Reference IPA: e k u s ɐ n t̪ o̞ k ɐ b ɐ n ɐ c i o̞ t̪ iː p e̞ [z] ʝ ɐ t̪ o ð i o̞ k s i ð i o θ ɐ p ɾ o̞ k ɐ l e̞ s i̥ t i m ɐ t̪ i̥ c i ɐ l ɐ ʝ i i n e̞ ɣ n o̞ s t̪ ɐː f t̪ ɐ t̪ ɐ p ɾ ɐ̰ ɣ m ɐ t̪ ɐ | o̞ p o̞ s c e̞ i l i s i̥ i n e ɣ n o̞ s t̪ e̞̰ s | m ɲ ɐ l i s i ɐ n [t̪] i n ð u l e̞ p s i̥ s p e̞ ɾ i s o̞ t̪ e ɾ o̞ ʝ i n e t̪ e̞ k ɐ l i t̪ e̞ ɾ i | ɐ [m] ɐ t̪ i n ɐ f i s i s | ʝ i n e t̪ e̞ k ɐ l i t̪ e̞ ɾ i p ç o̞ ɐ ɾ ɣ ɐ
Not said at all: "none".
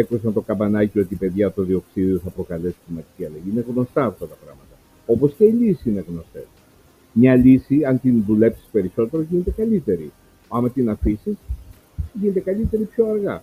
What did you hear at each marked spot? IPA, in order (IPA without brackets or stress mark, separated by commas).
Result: ð, t̪, m